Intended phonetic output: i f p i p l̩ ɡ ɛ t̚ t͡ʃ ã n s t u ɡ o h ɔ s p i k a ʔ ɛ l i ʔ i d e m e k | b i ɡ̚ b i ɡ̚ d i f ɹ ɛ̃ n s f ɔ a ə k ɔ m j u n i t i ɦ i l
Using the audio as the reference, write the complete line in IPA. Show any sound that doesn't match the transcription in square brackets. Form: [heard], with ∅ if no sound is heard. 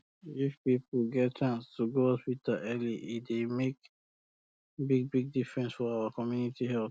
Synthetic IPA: i f p i p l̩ ɡ ɛ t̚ t͡ʃ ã n s t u ɡ o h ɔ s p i [t] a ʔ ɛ l i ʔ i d e m e k | b i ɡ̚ b i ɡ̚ d i f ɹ ɛ̃ n s f ɔ a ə k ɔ m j u n i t i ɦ [ɛ] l